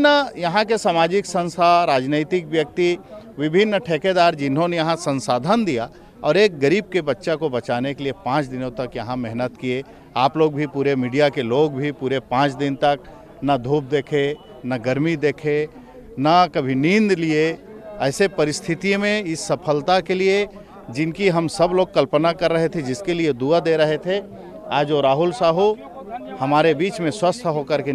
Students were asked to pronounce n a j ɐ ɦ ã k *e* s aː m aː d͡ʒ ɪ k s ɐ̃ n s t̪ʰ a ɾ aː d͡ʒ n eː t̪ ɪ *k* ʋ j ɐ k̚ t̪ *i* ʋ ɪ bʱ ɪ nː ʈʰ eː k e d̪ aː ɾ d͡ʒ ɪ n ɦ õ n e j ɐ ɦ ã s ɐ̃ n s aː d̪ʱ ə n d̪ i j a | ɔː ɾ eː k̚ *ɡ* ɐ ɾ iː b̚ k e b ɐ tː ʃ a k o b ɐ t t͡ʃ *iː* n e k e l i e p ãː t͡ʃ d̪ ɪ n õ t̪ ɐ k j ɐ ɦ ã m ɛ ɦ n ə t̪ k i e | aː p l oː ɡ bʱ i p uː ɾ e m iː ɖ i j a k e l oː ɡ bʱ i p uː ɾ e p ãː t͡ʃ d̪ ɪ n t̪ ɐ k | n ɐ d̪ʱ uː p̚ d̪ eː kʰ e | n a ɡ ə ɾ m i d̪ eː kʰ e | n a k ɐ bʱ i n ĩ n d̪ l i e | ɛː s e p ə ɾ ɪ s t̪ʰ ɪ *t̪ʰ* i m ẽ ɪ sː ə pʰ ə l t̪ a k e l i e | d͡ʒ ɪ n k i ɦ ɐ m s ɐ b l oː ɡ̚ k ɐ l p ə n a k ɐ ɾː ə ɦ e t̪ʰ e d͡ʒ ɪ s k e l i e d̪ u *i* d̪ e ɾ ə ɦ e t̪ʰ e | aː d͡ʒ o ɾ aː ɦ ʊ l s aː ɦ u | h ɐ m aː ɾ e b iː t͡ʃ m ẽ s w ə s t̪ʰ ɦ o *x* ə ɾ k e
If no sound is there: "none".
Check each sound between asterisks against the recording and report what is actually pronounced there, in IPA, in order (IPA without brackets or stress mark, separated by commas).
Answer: e, k, i, ɡ, aː, t̪, a, k